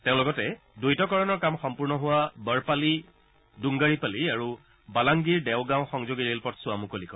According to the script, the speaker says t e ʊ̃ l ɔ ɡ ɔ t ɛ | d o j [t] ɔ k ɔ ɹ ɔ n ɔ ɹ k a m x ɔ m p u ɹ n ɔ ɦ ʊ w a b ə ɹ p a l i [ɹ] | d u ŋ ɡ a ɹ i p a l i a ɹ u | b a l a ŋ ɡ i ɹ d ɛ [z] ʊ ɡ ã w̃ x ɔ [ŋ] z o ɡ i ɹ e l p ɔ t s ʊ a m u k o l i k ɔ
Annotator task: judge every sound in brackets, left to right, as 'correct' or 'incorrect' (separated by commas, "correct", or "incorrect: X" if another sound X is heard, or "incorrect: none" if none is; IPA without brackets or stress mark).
correct, incorrect: none, incorrect: none, correct